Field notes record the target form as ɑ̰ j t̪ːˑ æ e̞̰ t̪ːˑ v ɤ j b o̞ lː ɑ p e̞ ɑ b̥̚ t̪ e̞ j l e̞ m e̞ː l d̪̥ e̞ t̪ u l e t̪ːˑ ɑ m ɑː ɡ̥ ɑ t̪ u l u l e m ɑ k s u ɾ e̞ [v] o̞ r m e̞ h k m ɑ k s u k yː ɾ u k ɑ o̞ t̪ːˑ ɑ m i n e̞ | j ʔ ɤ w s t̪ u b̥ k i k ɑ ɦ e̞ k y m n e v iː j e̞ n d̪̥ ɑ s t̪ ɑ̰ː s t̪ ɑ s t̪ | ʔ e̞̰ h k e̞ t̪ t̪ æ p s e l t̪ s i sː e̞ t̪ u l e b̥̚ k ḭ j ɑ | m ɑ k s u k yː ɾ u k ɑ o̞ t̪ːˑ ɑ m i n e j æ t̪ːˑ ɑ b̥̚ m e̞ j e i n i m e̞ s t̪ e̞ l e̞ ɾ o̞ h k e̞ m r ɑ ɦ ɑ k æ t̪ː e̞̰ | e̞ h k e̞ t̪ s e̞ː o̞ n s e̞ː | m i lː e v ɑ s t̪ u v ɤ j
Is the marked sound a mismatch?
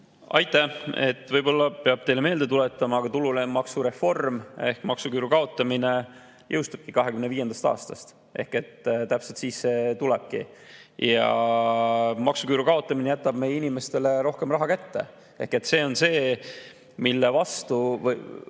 yes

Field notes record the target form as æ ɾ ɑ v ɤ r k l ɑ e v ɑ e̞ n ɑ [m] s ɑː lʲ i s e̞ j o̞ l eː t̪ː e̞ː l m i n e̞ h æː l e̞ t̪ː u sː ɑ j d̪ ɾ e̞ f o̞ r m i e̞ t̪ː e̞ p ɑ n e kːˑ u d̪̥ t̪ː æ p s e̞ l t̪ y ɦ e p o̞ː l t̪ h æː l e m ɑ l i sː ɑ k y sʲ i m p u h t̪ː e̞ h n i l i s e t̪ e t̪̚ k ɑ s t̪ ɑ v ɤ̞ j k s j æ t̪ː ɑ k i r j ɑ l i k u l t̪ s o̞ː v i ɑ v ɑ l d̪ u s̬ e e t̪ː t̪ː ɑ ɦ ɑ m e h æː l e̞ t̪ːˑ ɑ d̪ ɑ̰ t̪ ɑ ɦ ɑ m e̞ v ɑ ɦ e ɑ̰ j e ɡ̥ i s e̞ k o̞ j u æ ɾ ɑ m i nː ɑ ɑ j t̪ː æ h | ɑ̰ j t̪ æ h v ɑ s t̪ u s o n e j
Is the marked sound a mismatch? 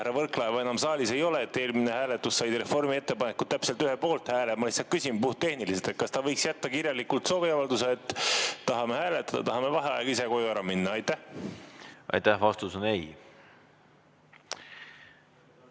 no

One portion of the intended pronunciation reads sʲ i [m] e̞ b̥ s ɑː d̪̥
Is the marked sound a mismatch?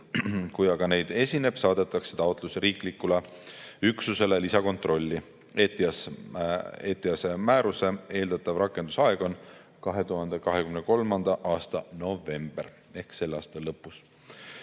yes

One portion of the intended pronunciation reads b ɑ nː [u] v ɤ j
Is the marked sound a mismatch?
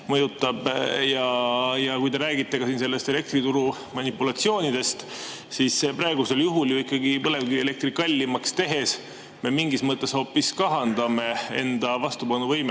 no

